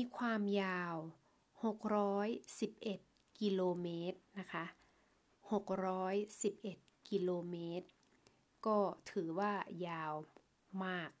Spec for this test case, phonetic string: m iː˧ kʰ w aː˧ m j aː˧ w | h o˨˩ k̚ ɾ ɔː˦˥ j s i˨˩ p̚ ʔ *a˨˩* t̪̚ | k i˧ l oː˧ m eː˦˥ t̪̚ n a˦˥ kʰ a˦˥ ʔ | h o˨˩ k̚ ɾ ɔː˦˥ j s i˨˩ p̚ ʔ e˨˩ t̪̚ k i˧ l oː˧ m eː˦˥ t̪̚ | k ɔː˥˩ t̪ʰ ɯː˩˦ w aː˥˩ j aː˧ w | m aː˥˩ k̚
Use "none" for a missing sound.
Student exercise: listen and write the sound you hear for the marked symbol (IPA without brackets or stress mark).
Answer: e˨˩